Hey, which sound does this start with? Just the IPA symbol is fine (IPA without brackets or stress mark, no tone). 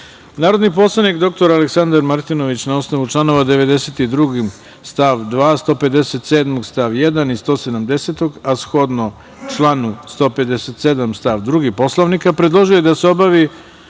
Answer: n